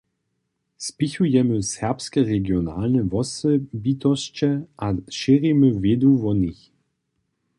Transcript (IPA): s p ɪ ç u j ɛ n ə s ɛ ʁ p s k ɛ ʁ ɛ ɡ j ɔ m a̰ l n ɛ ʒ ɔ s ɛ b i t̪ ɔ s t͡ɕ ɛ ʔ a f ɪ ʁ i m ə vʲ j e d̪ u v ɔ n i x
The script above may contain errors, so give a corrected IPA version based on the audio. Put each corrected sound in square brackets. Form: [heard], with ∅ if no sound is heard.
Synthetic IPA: s p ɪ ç u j ɛ [m] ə s ɛ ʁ p s k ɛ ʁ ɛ ɡ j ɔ [n] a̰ l n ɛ [v] ɔ s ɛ b i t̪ ɔ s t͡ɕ ɛ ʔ a [ʃ] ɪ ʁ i m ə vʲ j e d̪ u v ɔ n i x

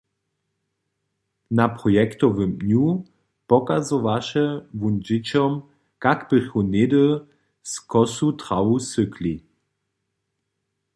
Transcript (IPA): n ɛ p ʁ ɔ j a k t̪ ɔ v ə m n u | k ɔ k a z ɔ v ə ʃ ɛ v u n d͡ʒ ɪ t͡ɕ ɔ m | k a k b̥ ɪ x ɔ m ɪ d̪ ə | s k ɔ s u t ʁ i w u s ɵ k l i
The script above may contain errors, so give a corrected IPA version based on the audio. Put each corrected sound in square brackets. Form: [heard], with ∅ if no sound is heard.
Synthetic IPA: n [a] p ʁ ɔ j [ɛ] k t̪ ɔ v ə m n u | [p] ɔ k a z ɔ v [a] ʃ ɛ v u n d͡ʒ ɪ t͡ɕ ɔ m | k a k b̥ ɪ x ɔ [n] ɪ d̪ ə | s k ɔ s u t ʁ [a] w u s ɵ k l i

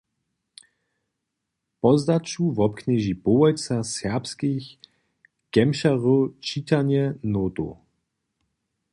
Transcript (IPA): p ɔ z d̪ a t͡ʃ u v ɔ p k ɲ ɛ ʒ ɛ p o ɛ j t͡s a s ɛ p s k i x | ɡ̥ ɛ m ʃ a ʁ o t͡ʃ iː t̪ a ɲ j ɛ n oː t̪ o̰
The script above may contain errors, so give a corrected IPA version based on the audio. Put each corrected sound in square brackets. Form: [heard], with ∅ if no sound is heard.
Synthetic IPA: p ɔ z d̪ a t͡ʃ u v ɔ p k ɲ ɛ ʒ [i] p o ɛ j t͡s a s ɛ p s k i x | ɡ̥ ɛ m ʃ a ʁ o t͡ʃ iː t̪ a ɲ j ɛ n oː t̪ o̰

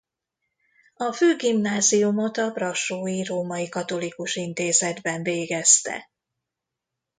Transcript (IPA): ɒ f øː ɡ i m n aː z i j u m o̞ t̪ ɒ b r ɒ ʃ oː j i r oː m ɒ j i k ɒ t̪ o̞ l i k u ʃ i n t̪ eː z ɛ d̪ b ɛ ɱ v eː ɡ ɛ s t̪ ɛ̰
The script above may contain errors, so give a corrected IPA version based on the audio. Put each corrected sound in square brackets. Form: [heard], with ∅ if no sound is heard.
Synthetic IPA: ɒ f øː ɡ i m n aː z i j u m o̞ t̪ ɒ b r ɒ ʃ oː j i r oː m ɒ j i k ɒ t̪ o̞ l i k u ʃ i n t̪ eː z ɛ d̪ b ɛ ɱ v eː ɡ ɛ s t̪ ɛ̰

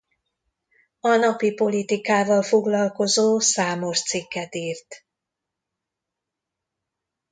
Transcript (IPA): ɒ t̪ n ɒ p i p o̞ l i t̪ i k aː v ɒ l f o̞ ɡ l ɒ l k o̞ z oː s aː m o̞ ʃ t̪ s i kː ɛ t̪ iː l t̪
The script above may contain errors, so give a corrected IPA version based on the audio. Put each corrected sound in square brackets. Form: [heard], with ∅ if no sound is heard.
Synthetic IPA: ɒ [∅] n ɒ p i p o̞ l i t̪ i k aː v ɒ l f o̞ ɡ l ɒ l k o̞ z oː s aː m o̞ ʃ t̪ s i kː ɛ t̪ iː [r] t̪

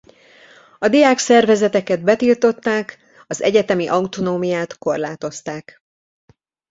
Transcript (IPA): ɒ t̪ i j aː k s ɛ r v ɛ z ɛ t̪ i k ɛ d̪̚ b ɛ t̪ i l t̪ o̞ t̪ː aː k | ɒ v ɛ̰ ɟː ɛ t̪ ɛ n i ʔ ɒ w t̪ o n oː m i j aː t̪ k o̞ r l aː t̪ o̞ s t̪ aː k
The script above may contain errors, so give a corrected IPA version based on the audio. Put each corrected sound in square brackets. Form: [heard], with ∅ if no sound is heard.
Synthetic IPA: ɒ [d̪] i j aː k s ɛ r v ɛ z ɛ t̪ [ɛ] k ɛ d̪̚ b ɛ t̪ i l t̪ o̞ t̪ː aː k | ɒ [z] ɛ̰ [ɟ] ɛ t̪ ɛ [m] i ʔ ɒ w t̪ o n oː m i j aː t̪ k o̞ r l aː t̪ o̞ s t̪ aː k

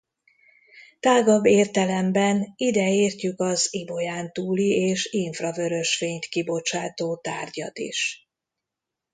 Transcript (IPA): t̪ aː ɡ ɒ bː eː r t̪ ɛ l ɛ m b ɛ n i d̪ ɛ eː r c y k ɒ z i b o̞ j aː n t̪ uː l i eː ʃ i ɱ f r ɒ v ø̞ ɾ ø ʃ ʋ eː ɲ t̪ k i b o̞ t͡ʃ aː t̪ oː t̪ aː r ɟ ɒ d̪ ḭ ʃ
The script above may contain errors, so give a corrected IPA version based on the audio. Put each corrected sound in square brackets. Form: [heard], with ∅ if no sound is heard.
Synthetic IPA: t̪ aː ɡ ɒ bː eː r t̪ ɛ l ɛ m b ɛ n i d̪ ɛ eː r c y k ɒ z i b o̞ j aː n t̪ uː l i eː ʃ i ɱ f r ɒ v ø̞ ɾ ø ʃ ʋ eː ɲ t̪ k i b o̞ t͡ʃ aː t̪ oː t̪ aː r ɟ ɒ [t̪] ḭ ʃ

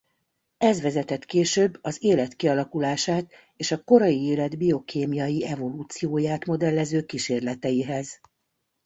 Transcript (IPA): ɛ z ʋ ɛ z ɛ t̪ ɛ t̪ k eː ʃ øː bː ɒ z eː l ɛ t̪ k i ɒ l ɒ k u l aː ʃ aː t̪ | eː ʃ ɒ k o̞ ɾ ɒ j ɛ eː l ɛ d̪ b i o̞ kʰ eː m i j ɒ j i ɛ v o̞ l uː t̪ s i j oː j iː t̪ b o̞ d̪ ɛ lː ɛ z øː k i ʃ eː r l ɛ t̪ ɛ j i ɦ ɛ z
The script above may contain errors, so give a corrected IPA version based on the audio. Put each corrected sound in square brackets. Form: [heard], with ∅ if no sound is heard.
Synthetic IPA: ɛ z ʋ ɛ z ɛ t̪ ɛ t̪ k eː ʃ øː bː ɒ z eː l ɛ t̪ k i ɒ l ɒ k u l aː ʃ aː t̪ | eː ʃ ɒ k o̞ ɾ ɒ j [i] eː l ɛ d̪ b i o̞ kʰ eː m i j ɒ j i ɛ v o̞ l uː t̪ s i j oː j [aː] t̪ [m] o̞ d̪ ɛ lː ɛ z øː k i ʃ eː r l ɛ t̪ ɛ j i ɦ ɛ z

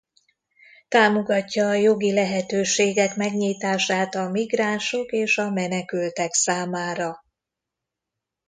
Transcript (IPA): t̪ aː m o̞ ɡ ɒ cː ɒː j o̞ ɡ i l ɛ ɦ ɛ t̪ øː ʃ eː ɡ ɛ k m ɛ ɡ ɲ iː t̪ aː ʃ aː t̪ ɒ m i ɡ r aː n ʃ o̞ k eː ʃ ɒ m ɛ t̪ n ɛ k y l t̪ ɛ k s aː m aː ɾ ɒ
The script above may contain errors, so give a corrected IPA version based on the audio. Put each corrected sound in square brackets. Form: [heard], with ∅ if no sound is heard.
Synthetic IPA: t̪ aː m o̞ ɡ ɒ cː ɒː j o̞ ɡ i l ɛ ɦ ɛ t̪ øː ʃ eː ɡ ɛ k m ɛ ɡ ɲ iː t̪ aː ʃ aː t̪ ɒ m i ɡ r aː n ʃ o̞ k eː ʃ ɒ m ɛ [∅] n ɛ k y l t̪ ɛ k s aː m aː ɾ ɒ

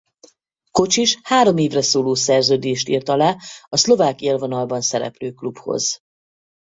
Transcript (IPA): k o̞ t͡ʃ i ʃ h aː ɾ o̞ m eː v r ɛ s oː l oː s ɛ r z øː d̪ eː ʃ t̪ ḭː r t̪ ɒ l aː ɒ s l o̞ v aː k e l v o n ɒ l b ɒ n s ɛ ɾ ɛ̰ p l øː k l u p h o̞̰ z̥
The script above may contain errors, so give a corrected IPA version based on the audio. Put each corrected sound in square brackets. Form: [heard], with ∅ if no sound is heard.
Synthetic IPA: k o̞ t͡ʃ i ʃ h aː ɾ o̞ m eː v r ɛ s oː l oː s ɛ r z øː d̪ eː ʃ t̪ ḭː r t̪ ɒ l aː ɒ s l o̞ v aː k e l v o n ɒ l b ɒ n s ɛ ɾ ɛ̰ p l øː k l u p h o̞̰ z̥

